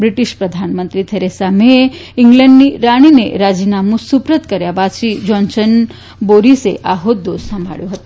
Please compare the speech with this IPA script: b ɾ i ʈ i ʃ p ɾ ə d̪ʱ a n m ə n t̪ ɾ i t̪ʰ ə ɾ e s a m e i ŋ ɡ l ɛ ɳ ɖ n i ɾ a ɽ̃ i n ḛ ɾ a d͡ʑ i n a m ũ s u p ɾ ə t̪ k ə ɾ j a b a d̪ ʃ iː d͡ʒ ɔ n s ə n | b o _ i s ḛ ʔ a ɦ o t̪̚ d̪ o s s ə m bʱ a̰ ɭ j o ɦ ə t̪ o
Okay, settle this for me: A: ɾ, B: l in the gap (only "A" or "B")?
A